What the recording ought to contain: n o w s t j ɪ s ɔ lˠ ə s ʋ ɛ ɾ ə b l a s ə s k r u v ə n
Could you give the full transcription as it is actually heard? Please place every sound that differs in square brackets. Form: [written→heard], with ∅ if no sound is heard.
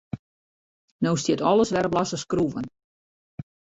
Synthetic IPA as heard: n o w s t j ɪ [s→t] ɔ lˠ ə s ʋ ɛ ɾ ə b l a s ə s k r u v ə n